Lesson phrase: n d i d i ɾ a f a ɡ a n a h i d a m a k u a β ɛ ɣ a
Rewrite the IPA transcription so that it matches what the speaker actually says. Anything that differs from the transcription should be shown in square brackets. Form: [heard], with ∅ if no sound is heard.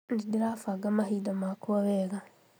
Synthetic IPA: n d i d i ɾ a f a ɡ a [m] a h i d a m a k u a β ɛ ɣ a